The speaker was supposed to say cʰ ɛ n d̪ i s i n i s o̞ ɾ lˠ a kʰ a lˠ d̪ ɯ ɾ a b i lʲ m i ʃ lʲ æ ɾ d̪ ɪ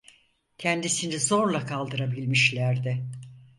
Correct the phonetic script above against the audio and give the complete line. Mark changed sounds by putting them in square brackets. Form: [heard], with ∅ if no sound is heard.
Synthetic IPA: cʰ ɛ n d̪ i s i n i [z] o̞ ɾ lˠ a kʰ a lˠ d̪ ɯ ɾ a b i lʲ m i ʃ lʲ æ ɾ d̪ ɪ